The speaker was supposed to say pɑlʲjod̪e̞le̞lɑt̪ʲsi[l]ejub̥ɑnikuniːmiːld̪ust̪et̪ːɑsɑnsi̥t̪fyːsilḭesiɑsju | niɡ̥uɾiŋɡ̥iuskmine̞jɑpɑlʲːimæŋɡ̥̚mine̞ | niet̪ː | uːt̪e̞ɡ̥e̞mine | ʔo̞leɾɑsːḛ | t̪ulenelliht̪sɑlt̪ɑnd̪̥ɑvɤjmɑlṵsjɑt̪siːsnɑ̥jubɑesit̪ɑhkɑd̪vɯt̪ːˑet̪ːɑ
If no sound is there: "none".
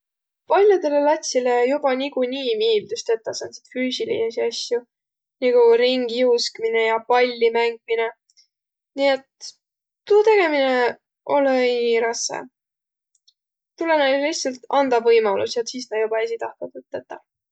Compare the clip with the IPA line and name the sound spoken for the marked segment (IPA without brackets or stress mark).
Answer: l